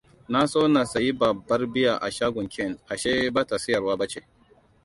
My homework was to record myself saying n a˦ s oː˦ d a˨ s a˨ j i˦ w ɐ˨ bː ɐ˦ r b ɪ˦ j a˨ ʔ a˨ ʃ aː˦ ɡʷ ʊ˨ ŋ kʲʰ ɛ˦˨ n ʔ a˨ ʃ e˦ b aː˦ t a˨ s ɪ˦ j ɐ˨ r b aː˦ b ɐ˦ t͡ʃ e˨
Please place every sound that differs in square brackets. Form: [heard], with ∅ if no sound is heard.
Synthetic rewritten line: n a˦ s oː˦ [n] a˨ s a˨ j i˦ [b] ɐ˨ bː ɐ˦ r b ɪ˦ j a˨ ʔ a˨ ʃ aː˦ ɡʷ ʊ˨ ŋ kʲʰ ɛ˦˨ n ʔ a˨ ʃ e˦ b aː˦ t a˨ s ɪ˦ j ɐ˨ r [w] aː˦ b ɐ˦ t͡ʃ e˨